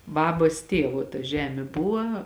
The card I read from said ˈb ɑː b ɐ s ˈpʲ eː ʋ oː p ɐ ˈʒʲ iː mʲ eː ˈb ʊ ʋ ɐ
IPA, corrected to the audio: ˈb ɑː b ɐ s ˈtʲ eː ʋ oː t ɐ ˈʒʲ æː mʲ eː ˈb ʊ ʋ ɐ